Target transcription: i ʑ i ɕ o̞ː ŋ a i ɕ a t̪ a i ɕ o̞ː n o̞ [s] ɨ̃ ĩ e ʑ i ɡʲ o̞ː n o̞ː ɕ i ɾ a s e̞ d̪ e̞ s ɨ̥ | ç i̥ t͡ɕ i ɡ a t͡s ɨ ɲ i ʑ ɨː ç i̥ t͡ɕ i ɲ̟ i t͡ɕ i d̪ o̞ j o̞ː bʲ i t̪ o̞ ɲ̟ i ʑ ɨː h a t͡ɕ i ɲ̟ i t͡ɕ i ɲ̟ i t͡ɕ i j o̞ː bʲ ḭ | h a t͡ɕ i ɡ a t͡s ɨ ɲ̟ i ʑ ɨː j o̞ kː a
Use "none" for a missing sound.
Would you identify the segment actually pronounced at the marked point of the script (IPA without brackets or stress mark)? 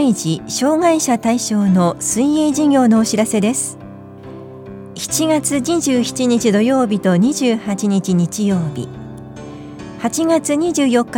s